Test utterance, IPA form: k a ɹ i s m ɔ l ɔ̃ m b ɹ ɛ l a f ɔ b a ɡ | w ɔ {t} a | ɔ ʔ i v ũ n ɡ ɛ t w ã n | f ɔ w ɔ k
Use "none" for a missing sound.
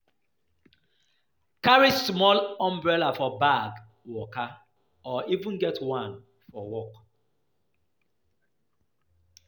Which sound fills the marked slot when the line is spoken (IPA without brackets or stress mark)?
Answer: k